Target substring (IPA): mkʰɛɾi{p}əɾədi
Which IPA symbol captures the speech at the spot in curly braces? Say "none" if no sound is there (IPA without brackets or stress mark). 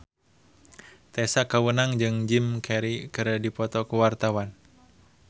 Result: k